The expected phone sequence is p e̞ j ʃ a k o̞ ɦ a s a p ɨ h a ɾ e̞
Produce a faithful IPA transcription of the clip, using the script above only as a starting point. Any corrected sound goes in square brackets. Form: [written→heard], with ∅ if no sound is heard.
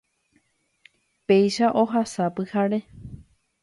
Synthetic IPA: p e̞ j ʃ a [k→ʔ] o̞ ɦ a s a p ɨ h a ɾ e̞